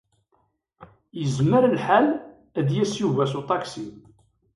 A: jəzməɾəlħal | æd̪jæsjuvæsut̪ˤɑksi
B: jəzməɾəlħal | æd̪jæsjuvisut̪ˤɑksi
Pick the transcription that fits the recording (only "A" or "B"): A